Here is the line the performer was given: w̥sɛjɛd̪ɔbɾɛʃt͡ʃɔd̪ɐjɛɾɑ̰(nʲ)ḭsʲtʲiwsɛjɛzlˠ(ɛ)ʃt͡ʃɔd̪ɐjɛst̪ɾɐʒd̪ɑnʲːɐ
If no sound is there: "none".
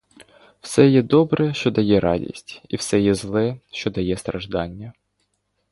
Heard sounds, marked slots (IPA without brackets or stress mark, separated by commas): dʲ, ɛ